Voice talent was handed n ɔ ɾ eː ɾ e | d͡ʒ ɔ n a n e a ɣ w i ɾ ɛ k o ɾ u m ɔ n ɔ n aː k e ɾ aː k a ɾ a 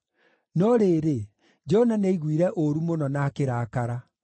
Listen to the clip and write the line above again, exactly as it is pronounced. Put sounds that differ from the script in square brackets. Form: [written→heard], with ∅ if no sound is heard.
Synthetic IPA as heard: n ɔ ɾ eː ɾ e | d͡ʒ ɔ n a n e [a→i] ɣ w i ɾ ɛ [k→ʔ] o ɾ u m [ɔ→o] n ɔ n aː k e ɾ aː k a ɾ a